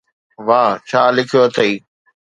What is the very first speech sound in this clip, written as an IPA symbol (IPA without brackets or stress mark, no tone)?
ʋ